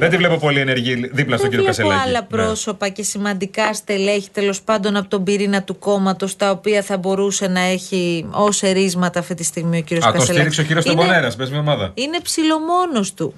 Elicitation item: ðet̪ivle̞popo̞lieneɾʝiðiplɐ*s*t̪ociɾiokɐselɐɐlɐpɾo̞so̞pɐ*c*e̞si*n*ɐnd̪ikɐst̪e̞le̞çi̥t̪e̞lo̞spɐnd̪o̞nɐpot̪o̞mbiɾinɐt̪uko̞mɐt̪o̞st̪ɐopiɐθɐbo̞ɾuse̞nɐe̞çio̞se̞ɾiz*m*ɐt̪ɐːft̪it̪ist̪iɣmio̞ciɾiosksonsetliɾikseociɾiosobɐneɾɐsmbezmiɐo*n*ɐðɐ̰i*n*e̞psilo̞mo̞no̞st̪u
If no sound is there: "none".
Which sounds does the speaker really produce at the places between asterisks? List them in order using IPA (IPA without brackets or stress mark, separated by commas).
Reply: s, c, m, m, m, n